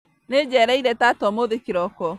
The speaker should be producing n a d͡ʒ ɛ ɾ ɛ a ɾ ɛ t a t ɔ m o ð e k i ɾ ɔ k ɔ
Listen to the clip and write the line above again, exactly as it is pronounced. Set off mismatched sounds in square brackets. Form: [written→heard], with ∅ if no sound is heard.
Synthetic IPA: n [a→e] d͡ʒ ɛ ɾ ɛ [a→i] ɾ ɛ t a t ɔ m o ð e k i ɾ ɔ k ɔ